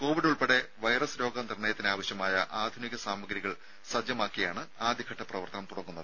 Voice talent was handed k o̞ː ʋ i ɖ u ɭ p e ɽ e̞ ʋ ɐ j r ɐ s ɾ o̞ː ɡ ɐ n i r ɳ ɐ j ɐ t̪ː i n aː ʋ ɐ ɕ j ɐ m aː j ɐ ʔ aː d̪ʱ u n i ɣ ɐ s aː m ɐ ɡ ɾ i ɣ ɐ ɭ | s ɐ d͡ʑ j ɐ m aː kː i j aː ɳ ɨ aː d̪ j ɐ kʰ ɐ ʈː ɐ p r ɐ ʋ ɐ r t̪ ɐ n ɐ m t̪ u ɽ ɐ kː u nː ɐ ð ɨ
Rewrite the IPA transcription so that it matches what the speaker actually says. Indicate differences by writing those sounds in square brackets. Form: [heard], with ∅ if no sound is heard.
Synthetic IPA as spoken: k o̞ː ʋ i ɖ u ɭ p e ɽ e̞ ʋ ɐ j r ɐ s ɾ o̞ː ɡ ɐ n i r ɳ ɐ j ɐ t̪ː i n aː ʋ ɐ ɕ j ɐ m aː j ɐ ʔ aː d̪ʱ u n i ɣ ɐ s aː m ɐ ɡ ɾ i ɣ ɐ ɭ | s ɐ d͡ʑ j ɐ m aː kː i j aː ɳ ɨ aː d̪ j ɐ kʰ ɐ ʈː ɐ p r ɐ ʋ ɐ r t̪ ɐ n ɐ m t̪ u ɽ ɐ kː u nː ɐ ð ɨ